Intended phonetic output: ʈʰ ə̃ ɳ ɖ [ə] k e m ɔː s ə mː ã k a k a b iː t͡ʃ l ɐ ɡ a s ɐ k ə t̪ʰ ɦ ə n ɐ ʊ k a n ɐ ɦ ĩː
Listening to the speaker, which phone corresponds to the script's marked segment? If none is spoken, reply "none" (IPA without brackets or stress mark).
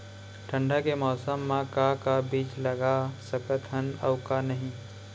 a